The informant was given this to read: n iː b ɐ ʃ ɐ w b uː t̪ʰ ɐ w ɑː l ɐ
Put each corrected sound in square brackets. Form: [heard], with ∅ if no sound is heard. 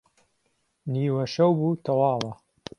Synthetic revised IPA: n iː [w] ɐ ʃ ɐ w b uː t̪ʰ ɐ w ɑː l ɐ